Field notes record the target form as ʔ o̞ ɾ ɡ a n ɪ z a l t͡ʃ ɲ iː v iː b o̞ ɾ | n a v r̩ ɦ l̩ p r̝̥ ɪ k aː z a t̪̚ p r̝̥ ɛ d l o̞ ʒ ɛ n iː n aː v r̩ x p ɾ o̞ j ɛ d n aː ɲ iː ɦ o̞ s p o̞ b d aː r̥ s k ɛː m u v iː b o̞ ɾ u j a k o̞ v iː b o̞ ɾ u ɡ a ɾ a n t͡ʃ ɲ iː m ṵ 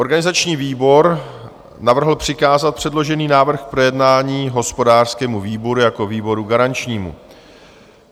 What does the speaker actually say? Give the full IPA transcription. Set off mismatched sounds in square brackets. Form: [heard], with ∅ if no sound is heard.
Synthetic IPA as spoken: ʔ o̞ ɾ ɡ a n ɪ z a [∅] t͡ʃ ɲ iː v iː b o̞ ɾ | n a v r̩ ɦ l̩ p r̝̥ ɪ k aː z a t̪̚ p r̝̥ ɛ d l o̞ ʒ ɛ n iː n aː v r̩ x p ɾ o̞ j ɛ d n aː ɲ iː ɦ o̞ s p o̞ [∅] d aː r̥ s k ɛː m u v iː b o̞ ɾ u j a k o̞ v iː b o̞ ɾ u ɡ a ɾ a n t͡ʃ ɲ iː m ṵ